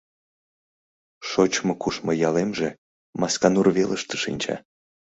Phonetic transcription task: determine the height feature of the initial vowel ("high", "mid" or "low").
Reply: mid